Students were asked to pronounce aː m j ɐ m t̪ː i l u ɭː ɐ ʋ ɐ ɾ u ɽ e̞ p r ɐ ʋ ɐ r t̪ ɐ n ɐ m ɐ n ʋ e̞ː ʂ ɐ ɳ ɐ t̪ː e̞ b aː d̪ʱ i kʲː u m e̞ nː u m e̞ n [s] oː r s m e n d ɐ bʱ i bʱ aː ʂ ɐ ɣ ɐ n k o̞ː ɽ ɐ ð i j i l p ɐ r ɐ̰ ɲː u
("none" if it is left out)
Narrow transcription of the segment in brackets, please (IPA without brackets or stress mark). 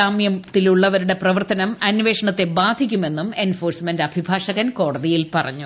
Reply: f